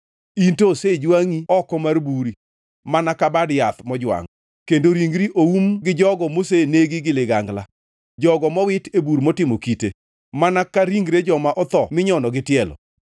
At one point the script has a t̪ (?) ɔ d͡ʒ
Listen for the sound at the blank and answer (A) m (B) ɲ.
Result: A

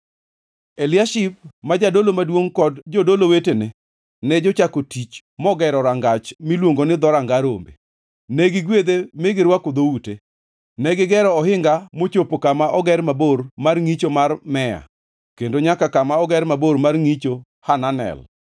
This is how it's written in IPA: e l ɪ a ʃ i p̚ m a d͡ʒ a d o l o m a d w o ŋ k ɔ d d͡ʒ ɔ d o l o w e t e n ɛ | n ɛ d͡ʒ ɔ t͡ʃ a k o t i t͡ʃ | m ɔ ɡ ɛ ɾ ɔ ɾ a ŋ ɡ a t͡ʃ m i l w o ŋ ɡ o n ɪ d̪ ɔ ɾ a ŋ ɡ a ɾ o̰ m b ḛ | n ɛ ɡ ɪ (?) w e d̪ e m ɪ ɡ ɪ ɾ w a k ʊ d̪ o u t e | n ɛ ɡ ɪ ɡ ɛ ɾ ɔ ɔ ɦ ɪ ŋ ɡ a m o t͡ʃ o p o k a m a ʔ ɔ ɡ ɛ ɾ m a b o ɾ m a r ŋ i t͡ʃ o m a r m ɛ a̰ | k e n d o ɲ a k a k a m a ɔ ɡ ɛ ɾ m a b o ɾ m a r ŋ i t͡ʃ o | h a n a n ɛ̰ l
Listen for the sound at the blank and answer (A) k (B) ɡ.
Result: B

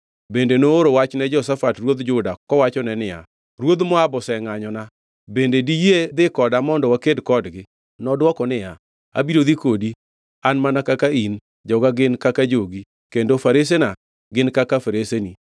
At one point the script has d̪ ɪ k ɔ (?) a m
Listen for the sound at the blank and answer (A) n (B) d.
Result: B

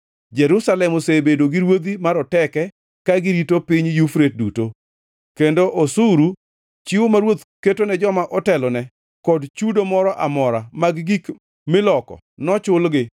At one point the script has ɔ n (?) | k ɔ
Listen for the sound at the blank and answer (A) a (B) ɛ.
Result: B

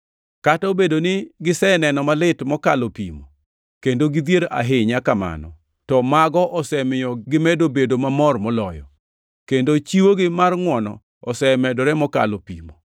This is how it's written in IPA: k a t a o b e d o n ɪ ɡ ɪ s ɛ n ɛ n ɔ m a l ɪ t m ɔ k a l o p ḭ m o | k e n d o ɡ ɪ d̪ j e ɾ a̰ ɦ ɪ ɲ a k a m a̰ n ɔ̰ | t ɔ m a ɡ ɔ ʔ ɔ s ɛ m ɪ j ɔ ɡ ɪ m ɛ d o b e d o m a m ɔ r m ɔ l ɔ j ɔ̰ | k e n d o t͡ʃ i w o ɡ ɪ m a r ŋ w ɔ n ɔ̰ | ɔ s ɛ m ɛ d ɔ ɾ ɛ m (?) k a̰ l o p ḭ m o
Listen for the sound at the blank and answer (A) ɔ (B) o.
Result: A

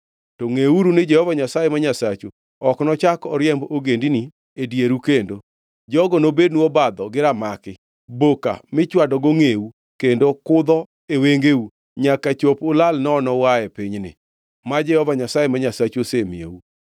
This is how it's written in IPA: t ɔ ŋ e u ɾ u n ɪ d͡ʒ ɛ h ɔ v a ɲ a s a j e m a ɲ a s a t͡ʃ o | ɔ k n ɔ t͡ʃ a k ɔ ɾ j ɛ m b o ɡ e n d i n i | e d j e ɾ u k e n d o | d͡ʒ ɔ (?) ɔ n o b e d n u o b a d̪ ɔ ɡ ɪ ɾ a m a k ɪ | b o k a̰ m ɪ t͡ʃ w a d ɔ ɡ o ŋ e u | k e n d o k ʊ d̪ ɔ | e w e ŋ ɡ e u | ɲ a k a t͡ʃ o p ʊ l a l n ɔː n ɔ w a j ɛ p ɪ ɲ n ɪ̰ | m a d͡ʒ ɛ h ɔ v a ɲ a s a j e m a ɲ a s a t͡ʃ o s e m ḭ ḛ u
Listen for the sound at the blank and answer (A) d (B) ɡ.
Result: B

